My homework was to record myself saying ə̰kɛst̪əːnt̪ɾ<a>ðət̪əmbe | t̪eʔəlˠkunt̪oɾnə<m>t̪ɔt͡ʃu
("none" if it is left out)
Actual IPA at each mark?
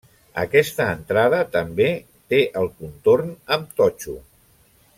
a, m

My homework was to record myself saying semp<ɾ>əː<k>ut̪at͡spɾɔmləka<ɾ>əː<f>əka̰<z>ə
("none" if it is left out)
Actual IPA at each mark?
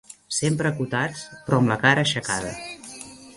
ɾ, k, ɾ, ʃ, ð

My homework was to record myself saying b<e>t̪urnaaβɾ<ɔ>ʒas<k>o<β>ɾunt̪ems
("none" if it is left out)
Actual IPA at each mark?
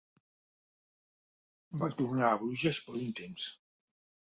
a, u, p, none

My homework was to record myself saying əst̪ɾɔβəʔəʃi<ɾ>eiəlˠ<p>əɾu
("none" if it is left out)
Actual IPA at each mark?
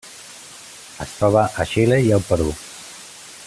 l, p

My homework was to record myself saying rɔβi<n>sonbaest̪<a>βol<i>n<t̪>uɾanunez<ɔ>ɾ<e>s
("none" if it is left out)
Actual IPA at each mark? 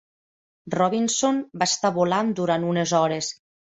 n, a, a, d̪, ɔ, e

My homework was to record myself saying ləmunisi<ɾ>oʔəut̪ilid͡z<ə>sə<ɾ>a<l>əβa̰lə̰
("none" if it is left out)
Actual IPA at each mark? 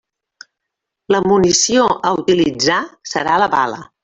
none, a, ɾ, l

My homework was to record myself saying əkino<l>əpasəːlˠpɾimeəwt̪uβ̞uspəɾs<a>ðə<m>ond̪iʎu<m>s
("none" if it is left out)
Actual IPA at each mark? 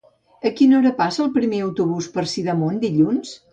ɾ, i, m, n

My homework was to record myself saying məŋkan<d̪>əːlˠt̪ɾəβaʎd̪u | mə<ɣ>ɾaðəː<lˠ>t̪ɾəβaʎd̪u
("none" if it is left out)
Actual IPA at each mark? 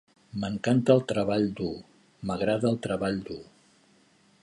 t̪, ɣ, lˠ

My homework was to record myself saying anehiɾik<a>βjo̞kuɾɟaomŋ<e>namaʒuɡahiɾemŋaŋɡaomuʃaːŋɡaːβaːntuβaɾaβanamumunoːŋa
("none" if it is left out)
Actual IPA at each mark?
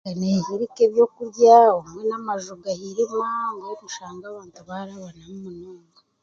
e, e

